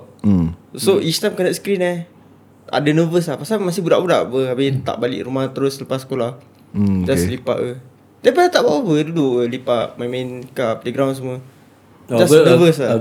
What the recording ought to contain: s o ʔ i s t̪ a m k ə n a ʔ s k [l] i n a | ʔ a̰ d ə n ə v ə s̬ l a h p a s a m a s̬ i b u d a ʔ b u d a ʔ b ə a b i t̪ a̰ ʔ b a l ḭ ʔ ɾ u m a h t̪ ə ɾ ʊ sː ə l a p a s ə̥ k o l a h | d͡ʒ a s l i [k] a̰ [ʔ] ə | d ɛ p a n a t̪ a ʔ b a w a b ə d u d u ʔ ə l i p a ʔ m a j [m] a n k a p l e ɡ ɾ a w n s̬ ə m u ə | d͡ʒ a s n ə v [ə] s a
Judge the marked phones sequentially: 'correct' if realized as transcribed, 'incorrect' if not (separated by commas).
incorrect, incorrect, correct, correct, correct